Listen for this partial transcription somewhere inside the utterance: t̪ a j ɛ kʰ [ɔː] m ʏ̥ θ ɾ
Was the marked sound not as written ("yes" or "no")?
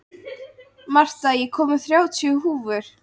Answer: no